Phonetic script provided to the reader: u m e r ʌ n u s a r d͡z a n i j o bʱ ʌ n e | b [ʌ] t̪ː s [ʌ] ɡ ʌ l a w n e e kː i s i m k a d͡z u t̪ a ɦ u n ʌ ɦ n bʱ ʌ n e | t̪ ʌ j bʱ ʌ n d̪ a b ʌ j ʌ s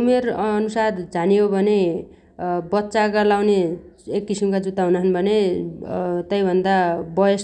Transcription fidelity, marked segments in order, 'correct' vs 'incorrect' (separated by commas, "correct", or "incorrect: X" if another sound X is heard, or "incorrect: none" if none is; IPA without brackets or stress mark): correct, incorrect: a